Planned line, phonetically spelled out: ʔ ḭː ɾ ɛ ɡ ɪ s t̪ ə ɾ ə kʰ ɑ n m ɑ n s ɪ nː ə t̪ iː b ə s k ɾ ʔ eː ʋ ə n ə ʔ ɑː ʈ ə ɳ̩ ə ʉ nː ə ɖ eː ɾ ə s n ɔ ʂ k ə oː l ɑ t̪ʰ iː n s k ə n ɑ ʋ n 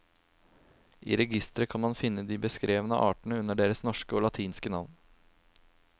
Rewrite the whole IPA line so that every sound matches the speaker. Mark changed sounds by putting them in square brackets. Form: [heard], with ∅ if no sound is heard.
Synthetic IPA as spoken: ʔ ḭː ɾ ɛ ɡ ɪ s t̪ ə ɾ ə kʰ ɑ n m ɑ n [f] ɪ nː ə [d̪] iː b ə s k ɾ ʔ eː ʋ ə n ə ʔ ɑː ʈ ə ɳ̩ ə ʉ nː ə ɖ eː ɾ ə s n ɔ ʂ k ə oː l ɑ t̪ʰ iː n s k ə n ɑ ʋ n